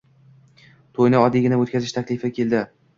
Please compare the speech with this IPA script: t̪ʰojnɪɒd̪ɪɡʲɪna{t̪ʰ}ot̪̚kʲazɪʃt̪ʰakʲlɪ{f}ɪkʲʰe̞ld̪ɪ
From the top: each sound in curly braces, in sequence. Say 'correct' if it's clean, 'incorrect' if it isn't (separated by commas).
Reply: incorrect, correct